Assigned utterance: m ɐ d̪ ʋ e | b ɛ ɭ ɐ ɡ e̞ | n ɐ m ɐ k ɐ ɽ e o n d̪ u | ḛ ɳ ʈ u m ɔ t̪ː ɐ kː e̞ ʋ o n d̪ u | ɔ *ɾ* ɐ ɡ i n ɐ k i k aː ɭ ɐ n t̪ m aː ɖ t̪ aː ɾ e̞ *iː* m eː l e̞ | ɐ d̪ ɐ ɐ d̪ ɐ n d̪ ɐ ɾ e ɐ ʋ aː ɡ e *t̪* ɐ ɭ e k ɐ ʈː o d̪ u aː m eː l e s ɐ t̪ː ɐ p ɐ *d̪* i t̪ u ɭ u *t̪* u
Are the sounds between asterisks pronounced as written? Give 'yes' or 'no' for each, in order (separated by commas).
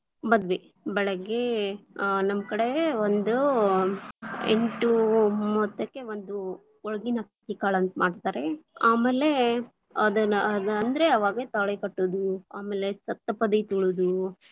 no, no, yes, yes, no